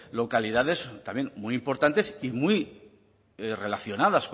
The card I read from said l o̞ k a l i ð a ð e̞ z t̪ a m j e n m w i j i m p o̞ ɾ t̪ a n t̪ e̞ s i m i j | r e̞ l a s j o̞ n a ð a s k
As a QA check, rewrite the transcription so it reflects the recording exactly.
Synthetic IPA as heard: l o̞ k a l i ð a ð e̞ z t̪ a m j e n m u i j i m p o̞ ɾ t̪ a n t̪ e̞ s i m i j | r e̞ l a θ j o̞ n a ð a s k